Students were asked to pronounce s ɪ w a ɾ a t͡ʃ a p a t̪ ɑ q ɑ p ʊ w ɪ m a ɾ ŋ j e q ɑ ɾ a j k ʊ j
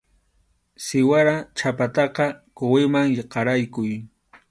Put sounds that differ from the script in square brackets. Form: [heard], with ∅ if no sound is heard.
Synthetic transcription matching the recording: s ɪ w a ɾ a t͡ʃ a p a t̪ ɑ q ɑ [k] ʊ w ɪ m a [∅] ŋ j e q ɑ ɾ a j k ʊ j